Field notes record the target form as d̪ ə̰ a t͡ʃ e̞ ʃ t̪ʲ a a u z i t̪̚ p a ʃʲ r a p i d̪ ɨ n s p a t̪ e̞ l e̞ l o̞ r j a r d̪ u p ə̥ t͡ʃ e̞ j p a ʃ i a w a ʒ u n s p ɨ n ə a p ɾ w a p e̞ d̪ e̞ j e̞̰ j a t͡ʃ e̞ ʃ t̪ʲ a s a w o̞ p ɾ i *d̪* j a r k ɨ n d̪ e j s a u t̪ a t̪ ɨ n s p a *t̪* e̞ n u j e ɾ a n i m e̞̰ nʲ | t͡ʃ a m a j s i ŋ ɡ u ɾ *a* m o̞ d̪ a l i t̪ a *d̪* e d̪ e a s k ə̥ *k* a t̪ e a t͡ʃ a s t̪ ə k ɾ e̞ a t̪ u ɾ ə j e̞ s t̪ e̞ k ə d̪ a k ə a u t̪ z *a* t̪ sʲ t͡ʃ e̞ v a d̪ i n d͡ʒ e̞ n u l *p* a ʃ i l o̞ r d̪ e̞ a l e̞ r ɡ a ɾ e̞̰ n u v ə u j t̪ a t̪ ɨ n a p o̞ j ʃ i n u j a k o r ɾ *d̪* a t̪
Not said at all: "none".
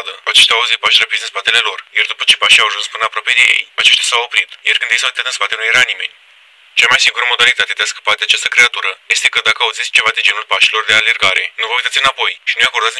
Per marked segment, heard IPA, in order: t̪, t̪, ə, t̪, p, i, p, d̪

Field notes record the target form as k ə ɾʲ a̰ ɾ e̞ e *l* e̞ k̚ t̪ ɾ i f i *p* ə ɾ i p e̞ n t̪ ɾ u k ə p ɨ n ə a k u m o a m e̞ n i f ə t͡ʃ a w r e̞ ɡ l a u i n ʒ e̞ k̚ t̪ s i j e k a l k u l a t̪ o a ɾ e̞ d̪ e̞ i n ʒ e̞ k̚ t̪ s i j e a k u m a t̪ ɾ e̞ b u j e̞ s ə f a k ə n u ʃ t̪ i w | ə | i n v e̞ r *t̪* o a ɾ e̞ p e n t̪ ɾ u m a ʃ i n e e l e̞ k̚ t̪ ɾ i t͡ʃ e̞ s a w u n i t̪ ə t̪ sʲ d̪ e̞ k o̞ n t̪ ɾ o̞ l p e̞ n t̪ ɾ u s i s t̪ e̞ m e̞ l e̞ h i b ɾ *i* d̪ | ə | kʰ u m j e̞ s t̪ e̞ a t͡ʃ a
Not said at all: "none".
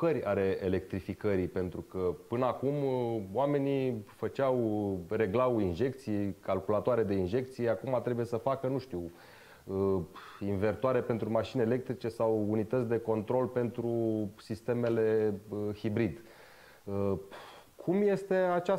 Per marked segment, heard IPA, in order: l, k, t̪, i

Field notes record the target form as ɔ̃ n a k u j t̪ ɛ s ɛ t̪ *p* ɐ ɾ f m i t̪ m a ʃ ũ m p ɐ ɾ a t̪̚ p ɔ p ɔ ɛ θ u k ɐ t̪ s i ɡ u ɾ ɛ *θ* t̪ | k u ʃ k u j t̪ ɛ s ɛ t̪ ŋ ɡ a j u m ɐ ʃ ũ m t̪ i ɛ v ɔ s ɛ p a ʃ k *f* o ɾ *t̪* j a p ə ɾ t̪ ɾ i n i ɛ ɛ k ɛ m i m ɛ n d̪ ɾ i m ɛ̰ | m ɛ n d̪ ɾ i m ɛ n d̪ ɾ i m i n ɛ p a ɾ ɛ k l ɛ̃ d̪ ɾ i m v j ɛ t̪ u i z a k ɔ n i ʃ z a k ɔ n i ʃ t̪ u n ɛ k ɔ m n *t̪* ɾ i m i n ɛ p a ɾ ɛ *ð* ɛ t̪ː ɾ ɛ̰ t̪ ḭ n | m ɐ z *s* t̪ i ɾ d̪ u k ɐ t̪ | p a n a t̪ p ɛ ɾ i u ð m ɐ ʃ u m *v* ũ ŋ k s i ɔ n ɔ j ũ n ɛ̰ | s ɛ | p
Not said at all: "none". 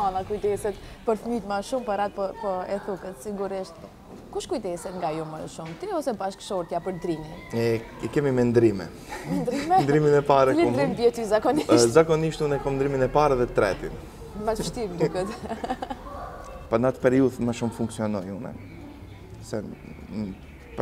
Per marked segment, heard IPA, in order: p, ʃ, ʃ, t̪, d̪, ð, ʃ, f

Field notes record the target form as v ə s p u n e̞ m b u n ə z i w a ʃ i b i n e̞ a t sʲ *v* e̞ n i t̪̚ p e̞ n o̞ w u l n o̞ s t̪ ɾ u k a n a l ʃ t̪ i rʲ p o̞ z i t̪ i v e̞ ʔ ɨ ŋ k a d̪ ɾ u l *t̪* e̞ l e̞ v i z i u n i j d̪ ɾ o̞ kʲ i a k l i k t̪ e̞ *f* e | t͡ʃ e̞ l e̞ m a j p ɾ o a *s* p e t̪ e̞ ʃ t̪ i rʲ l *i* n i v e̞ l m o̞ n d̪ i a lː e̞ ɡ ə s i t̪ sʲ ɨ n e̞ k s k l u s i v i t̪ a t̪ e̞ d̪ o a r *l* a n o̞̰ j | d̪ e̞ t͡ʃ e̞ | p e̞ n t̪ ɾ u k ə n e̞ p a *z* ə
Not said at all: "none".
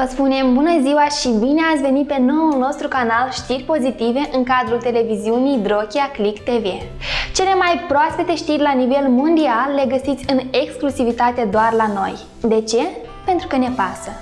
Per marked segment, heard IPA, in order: v, t̪, v, s, a, l, s

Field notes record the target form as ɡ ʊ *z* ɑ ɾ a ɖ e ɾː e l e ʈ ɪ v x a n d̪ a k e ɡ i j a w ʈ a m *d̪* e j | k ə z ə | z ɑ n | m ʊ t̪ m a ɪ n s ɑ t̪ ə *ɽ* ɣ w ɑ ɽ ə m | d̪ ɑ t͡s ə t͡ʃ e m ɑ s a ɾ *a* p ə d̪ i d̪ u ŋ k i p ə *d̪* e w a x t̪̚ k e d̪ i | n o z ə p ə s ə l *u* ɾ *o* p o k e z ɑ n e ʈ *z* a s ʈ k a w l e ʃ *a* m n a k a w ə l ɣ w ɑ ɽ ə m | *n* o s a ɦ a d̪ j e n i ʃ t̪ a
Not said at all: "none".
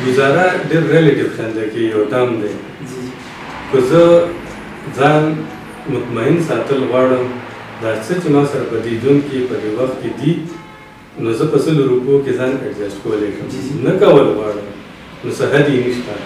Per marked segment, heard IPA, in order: z, d̪, l, a, d̪, o, u, z, ə, n

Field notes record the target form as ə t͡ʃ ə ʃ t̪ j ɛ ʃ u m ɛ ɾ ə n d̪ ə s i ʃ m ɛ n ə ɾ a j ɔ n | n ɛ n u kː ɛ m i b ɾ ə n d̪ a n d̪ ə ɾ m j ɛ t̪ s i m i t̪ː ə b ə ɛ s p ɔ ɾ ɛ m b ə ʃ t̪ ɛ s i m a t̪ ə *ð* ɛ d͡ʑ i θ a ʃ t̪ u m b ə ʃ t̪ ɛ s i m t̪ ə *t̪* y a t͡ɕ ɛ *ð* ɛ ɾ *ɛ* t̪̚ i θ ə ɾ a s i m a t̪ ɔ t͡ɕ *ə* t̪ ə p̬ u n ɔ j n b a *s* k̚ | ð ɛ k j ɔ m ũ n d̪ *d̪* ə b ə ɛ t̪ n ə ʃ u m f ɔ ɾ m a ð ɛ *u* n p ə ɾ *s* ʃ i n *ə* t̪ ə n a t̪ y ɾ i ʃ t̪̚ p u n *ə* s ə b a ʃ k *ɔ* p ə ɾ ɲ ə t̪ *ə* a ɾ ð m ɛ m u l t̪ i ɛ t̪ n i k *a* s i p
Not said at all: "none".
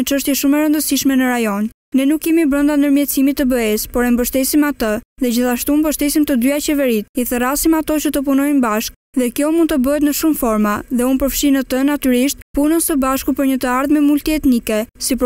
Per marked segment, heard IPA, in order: ð, d̪, v, i, ə, ʃ, t̪, u, f, ə, ə, u, ə, ɛ

